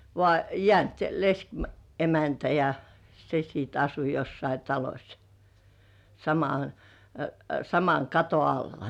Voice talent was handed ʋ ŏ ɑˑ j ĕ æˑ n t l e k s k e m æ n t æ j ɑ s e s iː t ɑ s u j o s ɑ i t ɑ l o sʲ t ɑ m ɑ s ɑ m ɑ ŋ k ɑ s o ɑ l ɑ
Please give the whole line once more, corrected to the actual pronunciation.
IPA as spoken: ʋ ŏ ɑˑ j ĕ æˑ n t l e s k e m æ n t æ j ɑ s e s iː t ɑ s u j o sː ɑ i t ɑ l o sʲ s ɑ m ɑ s ɑ m ɑ ŋ k ɑ t o ɑ lː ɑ